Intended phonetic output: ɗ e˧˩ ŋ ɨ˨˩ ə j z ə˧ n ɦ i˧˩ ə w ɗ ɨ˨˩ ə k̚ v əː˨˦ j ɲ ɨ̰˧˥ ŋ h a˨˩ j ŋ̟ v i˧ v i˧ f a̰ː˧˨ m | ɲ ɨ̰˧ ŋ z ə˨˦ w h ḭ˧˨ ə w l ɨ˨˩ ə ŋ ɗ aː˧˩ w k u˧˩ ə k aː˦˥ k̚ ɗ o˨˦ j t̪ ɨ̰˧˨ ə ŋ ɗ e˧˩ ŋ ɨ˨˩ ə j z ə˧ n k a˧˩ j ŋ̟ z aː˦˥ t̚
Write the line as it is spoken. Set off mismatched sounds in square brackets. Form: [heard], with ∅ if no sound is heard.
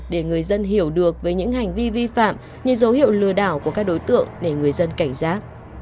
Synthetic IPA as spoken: ɗ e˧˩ ŋ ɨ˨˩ ə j z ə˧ n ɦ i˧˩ ə w ɗ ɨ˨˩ ə k̚ v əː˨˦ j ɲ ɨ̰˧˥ ŋ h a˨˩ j ŋ̟ v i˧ v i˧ f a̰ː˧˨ m | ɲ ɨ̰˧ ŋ z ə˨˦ w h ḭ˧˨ ə w l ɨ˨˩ ə [∅] ɗ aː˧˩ w k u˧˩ ə k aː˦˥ k̚ ɗ o˨˦ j t̪ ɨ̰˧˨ ə ŋ ɗ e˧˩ ŋ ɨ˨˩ ə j z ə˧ n k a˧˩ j ŋ̟ z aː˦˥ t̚